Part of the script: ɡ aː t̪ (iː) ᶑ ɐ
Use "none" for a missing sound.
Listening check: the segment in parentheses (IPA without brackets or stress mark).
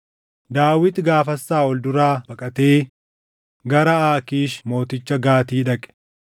iː